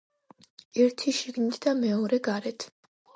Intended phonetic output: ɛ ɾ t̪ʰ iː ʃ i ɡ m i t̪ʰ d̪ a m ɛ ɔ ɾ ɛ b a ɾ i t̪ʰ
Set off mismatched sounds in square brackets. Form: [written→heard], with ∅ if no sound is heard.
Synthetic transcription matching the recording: ɛ ɾ t̪ʰ [iː→i] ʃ i ɡ [m→n] i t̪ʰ d̪ a m ɛ ɔ ɾ ɛ [b→ɡ] a ɾ [i→ɛ] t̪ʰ